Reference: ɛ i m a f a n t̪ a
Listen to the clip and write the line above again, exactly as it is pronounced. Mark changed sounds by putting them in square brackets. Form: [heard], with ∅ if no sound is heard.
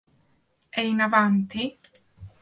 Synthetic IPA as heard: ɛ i [n] a [v] a n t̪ [i]